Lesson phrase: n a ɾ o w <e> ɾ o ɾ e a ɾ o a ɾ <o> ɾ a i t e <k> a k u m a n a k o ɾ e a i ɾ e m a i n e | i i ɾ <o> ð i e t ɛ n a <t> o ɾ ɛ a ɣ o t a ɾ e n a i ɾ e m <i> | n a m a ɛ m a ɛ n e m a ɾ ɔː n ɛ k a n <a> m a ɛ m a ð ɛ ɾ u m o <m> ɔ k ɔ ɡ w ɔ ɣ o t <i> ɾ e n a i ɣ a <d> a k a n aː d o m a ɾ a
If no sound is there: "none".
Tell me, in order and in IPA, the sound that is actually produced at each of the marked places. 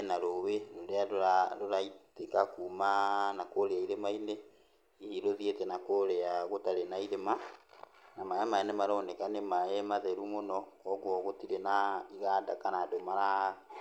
e, o, k, o, k, a, e, n, i, d

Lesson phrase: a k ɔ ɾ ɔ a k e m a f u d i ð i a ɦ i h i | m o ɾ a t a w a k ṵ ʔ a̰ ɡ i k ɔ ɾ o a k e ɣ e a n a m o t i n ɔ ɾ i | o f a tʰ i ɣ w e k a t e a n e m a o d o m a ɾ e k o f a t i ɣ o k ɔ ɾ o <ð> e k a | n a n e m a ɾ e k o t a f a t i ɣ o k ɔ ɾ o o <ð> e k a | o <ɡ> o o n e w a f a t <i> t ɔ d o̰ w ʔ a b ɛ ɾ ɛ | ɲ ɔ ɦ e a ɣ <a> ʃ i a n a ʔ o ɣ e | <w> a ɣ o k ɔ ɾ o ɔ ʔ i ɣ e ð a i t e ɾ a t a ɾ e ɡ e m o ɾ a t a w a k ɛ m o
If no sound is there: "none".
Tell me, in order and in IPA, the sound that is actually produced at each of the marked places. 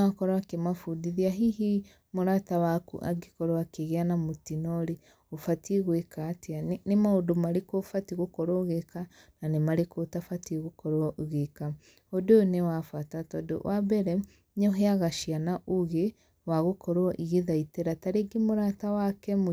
ɣ, ɣ, d, a, a, w

